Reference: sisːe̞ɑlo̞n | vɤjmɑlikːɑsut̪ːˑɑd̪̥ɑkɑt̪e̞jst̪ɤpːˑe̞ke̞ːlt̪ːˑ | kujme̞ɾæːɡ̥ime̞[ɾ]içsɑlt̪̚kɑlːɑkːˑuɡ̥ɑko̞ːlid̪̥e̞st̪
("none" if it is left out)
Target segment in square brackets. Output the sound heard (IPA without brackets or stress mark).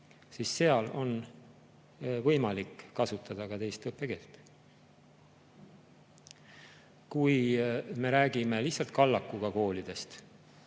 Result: l